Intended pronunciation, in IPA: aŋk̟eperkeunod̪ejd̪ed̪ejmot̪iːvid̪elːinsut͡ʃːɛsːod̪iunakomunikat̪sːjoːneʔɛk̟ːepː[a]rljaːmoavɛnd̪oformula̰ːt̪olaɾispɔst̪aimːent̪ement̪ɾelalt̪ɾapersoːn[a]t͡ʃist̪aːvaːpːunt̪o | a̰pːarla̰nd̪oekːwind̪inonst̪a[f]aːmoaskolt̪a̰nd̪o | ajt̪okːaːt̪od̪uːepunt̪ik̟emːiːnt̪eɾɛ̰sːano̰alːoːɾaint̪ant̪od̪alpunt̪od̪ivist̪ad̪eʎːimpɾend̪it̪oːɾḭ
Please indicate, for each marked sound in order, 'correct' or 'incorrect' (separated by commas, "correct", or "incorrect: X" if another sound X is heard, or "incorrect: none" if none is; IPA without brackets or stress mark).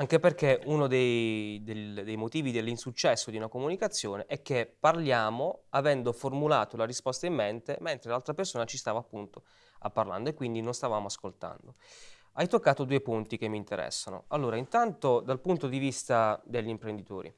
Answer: correct, correct, incorrect: v